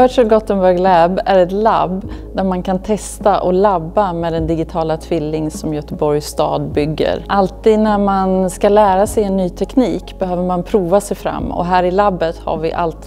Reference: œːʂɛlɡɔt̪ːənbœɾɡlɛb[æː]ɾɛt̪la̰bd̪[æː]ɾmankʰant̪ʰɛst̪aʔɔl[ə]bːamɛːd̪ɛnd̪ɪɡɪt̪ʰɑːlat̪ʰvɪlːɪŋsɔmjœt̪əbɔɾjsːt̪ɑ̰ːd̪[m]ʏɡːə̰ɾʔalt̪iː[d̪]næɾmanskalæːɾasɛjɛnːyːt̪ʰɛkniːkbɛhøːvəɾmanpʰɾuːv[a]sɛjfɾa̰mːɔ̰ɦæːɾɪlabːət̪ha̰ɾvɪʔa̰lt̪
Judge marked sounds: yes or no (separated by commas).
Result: no, no, no, no, yes, yes